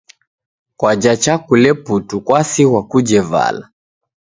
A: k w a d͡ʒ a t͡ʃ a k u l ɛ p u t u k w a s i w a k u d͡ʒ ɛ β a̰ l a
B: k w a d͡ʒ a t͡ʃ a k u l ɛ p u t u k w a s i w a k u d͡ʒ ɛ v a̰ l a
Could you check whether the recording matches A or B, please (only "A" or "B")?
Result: B